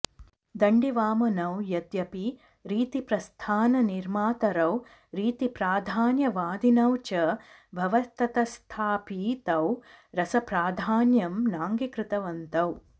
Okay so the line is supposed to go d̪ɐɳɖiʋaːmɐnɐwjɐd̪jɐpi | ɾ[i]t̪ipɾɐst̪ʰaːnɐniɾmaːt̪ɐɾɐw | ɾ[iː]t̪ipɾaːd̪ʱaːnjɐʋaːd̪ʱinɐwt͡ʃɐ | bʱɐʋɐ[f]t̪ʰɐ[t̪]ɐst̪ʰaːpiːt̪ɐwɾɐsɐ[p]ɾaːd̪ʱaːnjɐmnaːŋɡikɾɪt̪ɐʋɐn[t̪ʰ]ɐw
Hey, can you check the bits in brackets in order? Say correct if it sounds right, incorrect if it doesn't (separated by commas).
incorrect, correct, incorrect, correct, correct, incorrect